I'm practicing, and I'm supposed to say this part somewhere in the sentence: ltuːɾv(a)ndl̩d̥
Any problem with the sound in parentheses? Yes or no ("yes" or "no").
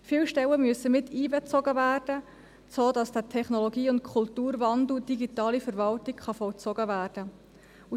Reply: yes